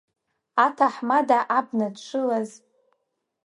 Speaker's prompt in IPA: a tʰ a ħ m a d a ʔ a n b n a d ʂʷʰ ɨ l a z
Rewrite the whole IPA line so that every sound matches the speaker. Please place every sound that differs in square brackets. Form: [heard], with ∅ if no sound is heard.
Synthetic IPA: a tʰ a ħ m a d a ʔ a [∅] b n a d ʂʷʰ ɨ l a z